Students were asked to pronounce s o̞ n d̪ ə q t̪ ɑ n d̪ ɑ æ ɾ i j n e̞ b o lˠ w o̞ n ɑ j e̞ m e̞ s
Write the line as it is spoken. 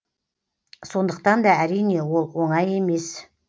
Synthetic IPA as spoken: s o̞ n d̪ ə q t̪ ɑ n d̪ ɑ æ ɾ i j n e̞ w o lˠ w o̞ ɴ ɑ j e̞ m e̞ s